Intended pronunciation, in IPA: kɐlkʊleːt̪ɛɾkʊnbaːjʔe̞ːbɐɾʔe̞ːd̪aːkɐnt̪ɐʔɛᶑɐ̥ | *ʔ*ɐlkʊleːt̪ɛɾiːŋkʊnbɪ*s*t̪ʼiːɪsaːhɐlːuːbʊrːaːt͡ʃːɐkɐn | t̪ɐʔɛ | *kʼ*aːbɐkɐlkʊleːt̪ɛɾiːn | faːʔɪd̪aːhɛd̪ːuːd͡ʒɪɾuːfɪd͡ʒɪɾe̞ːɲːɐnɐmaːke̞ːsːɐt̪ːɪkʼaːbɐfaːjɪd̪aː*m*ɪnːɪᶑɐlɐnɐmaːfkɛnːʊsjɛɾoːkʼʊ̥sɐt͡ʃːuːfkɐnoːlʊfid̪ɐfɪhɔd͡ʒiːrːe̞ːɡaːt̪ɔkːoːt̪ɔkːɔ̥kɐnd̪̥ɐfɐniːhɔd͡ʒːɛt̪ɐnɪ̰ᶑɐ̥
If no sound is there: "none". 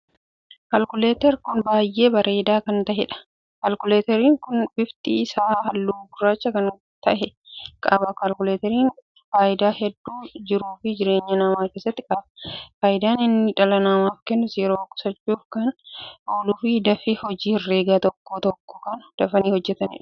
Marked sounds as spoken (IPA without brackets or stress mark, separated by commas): k, f, kʼ, n